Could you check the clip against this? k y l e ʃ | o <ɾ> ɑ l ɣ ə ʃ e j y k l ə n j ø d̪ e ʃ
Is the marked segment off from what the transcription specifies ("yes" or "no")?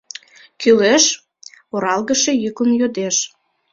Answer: no